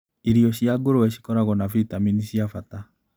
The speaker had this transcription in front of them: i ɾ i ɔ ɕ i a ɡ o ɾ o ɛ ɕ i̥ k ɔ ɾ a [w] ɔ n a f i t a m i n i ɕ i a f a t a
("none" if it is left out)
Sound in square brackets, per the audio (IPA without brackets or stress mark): ɣ